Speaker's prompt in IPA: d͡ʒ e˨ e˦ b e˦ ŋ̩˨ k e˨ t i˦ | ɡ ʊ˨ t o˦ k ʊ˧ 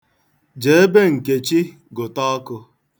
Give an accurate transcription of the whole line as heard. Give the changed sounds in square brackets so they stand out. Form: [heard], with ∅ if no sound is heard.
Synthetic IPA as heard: d͡ʒ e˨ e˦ b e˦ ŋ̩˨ k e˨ [t͡ʃ] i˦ | ɡ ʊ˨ t [ɔ˦] k ʊ˧